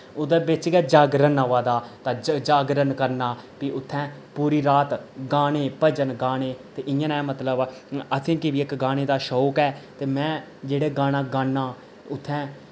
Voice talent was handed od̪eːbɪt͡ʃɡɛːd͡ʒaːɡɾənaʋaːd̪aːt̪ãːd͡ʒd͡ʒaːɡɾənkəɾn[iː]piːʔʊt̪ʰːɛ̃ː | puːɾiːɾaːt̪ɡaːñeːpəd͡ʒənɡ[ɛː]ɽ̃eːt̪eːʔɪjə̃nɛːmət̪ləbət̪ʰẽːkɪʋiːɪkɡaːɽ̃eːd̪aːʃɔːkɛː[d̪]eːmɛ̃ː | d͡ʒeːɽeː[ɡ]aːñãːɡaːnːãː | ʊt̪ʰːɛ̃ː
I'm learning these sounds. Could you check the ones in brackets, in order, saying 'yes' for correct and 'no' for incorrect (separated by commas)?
no, no, no, yes